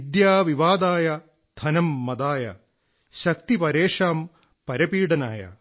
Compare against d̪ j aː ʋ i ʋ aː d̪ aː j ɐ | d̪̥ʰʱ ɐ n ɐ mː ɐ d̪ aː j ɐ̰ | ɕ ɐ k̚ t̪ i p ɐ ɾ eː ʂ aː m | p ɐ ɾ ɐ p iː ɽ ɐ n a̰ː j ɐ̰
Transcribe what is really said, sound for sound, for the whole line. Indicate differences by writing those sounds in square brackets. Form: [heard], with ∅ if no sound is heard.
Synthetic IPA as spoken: d̪ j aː ʋ i ʋ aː d̪ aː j ɐ | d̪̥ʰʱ ɐ n ɐ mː ɐ d̪ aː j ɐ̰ | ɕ ɐ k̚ t̪ i p ɐ ɾ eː ʂ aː m | p ɐ ɾ ɐ p iː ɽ ɐ n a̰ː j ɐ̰